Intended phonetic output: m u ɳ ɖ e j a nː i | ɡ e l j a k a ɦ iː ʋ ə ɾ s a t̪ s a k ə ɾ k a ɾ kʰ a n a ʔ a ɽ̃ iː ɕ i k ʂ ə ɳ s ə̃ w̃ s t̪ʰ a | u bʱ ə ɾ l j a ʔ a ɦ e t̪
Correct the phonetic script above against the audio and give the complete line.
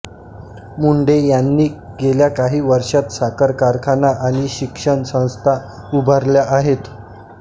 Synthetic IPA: m u ɳ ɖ e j a nː iː | ɡ e l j a k a ɦ iː ʋ ə ɾ ʂ a t̪ s a k ə ɾ k a ɾ kʰ a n a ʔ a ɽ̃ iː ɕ i k ʂ ə ɳ s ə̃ w̃ s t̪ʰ a | u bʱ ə ɾ l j a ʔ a ɦ e t̪